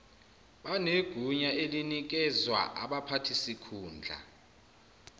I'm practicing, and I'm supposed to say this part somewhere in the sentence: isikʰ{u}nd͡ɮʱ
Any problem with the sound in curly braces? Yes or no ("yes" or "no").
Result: yes